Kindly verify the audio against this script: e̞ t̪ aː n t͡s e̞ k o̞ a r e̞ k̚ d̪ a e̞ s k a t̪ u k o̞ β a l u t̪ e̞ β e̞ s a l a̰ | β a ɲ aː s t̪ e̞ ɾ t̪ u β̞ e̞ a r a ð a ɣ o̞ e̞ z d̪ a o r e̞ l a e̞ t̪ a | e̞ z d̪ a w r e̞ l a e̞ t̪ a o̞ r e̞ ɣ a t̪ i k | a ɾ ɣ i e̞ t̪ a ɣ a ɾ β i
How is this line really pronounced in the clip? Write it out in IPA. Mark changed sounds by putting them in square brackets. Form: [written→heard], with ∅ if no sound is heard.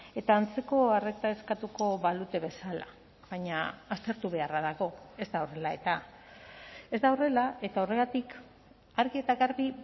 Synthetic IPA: e̞ t̪ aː n t͡s e̞ k o̞ a r e̞ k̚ [d̪→t̪] a e̞ s k a t̪ u k o̞ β a l u t̪ e̞ β e̞ s a l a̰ | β a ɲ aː s t̪ e̞ ɾ t̪ u β̞ e̞ a r a ð a ɣ o̞ e̞ z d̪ a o r e̞ l a e̞ t̪ a | e̞ z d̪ a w r e̞ l a e̞ t̪ a o̞ r e̞ ɣ a t̪ i k | a ɾ ɣ i e̞ t̪ a ɣ a ɾ β i